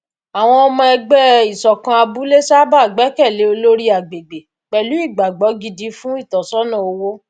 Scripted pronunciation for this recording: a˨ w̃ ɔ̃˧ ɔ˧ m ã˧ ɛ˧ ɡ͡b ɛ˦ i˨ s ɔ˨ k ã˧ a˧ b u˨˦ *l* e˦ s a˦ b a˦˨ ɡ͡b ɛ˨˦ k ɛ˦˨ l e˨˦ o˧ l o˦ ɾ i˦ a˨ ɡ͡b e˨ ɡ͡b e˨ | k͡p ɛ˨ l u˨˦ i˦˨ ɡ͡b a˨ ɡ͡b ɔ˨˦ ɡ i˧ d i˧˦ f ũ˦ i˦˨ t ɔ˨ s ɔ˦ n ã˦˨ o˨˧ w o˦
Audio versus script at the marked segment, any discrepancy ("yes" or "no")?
no